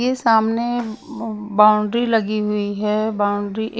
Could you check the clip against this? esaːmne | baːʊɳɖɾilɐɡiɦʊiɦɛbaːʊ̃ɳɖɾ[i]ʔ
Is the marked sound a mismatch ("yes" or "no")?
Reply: no